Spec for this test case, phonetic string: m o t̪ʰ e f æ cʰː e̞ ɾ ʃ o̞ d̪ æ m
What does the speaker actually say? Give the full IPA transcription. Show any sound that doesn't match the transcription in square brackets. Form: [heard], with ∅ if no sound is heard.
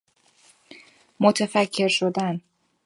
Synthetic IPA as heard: m o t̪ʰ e f æ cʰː e̞ ɾ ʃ o̞ d̪ æ [n]